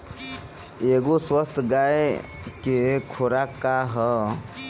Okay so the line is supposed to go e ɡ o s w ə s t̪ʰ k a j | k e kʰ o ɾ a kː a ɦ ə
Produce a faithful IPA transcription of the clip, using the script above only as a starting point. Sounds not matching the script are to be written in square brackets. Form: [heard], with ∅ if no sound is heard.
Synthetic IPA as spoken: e ɡ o s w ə s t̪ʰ [ɡ] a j | k e kʰ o ɾ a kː a ɦ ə